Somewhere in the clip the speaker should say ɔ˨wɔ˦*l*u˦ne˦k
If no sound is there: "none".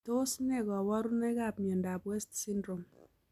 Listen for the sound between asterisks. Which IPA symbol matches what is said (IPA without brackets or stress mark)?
ɾ